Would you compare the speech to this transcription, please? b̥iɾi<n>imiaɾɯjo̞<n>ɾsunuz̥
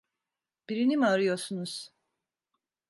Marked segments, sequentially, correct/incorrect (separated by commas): correct, incorrect